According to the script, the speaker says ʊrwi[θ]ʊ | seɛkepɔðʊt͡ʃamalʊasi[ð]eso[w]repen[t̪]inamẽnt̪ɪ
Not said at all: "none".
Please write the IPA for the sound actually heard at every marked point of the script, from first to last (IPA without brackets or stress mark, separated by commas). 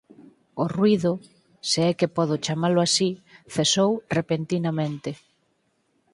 ð, θ, w, t̪